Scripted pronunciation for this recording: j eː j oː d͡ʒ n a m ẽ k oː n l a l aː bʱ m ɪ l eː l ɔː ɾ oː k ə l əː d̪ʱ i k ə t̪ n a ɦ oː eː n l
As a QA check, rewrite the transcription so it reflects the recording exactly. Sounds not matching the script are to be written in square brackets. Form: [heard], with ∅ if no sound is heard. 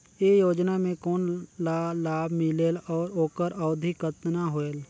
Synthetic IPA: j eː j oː d͡ʒ n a m ẽ k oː n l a l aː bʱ m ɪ l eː l ɔː ɾ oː k ə [ɾ] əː d̪ʱ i k ə t̪ n a ɦ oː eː [∅] l